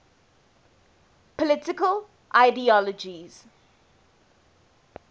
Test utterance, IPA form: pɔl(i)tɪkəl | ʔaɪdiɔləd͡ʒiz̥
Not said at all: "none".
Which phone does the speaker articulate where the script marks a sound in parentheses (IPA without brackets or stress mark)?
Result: ɪ